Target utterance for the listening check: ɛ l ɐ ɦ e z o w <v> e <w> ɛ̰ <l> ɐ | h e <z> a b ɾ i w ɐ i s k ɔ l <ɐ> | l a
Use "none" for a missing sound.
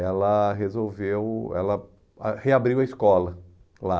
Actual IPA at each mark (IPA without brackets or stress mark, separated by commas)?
v, w, l, none, ɐ